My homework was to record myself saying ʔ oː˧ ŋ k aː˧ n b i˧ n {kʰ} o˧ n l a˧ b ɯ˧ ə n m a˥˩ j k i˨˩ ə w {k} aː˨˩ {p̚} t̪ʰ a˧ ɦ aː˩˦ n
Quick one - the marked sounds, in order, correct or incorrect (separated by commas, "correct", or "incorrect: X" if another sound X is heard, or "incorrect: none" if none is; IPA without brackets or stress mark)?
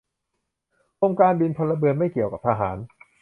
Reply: incorrect: pʰ, correct, correct